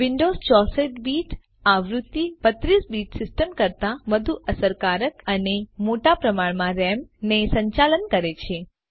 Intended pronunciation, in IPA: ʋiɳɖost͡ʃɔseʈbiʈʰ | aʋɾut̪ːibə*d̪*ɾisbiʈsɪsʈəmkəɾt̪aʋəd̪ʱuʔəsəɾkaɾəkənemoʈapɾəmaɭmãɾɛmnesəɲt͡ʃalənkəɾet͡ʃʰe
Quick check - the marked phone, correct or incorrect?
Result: incorrect